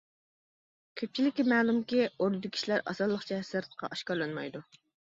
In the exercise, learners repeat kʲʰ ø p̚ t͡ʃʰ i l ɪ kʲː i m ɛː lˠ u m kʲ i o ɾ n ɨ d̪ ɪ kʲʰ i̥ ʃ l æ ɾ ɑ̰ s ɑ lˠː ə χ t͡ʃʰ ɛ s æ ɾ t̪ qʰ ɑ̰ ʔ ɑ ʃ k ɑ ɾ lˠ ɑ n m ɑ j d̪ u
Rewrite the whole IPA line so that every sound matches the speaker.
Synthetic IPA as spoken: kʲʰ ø p̚ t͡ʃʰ i l ɪ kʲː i m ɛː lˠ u m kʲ i o ɾ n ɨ d̪ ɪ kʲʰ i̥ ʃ l æ ɾ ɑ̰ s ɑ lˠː ə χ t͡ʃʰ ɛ s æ ɾ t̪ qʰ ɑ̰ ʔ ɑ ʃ k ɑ ɾ lˠ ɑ n m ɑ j d̪ u